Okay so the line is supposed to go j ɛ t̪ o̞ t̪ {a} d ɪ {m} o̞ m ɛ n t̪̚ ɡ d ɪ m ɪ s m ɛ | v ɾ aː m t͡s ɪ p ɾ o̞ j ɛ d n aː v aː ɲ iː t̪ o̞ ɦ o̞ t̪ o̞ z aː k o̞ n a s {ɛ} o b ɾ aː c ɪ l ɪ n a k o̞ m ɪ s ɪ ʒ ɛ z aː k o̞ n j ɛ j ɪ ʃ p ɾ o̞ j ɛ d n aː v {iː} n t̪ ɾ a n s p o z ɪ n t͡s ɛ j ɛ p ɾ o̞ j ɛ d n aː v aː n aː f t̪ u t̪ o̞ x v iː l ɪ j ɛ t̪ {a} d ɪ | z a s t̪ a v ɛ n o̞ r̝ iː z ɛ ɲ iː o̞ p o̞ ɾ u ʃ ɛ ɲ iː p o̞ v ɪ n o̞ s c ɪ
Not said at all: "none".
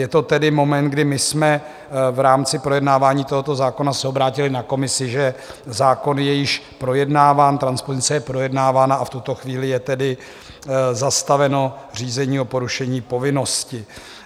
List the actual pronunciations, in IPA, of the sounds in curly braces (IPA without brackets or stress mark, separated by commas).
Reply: ɛ, m, ɛ, aː, ɛ